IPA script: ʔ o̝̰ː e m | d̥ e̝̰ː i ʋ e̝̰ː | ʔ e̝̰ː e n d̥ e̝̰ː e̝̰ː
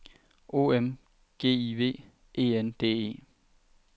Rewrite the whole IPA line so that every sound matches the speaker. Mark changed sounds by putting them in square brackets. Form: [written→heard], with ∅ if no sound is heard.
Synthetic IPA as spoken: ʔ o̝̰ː e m | [d̥→ɡ̥] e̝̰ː i ʋ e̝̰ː | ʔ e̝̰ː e n d̥ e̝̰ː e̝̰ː